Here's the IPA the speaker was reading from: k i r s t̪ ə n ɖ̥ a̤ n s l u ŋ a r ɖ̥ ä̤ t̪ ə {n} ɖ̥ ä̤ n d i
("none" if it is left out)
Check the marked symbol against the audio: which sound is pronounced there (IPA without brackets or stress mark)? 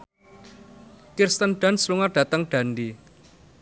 ŋ